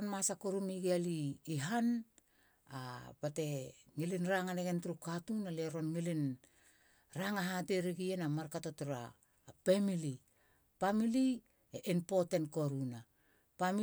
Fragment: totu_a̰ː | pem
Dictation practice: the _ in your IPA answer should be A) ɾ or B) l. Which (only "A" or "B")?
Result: A